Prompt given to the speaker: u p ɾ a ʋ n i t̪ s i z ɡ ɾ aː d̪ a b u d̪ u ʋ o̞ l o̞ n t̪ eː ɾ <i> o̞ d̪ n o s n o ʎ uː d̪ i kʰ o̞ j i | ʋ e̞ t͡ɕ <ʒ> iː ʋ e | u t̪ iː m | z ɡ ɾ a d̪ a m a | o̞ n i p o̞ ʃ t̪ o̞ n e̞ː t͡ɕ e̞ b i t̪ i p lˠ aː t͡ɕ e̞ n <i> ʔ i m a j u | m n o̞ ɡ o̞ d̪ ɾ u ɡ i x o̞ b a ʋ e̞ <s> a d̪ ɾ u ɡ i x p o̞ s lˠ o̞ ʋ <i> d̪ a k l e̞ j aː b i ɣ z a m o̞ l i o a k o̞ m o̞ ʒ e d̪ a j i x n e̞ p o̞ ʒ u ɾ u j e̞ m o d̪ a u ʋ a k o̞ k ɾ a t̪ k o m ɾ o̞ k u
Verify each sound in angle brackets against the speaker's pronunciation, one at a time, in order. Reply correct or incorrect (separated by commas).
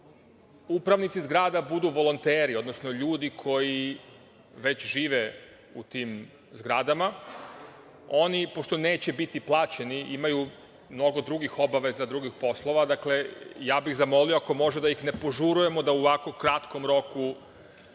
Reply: correct, correct, correct, incorrect, incorrect